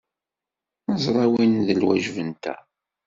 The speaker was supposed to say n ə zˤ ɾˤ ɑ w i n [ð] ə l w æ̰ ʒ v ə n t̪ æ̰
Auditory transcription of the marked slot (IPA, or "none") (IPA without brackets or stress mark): ð